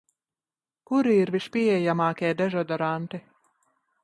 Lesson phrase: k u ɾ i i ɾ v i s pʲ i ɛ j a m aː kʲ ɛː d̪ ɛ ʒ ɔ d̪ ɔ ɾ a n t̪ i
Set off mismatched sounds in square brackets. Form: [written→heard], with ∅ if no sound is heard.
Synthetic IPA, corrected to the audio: k u ɾ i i ɾ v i [s→ʃ] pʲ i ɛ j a m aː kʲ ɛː d̪ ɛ ʒ ɔ d̪ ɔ ɾ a n t̪ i